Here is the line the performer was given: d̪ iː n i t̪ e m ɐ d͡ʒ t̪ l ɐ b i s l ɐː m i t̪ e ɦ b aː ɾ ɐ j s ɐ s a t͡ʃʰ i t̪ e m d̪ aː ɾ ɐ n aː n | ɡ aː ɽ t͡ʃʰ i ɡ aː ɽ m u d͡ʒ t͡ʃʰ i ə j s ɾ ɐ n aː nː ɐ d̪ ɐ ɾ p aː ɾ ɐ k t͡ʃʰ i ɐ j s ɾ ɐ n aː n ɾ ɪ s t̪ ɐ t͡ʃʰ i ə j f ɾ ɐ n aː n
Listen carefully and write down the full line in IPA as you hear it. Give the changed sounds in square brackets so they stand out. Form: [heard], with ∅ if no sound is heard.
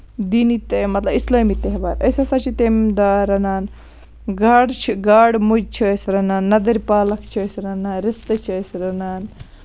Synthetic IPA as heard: d̪ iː n i t̪ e m ɐ [∅] t̪ l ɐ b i s l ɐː m i t̪ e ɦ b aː ɾ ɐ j s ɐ s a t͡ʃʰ i t̪ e m d̪ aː ɾ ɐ n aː n | ɡ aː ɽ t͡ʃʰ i ɡ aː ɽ m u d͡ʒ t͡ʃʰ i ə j s ɾ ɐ n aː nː ɐ d̪ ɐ ɾ p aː [l] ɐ k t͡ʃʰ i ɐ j s ɾ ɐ n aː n ɾ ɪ s t̪ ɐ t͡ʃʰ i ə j [s] ɾ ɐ n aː n